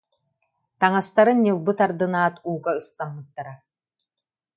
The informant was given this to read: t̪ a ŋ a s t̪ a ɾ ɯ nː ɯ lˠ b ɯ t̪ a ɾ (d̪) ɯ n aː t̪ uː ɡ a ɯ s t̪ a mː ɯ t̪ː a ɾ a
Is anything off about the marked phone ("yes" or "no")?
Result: no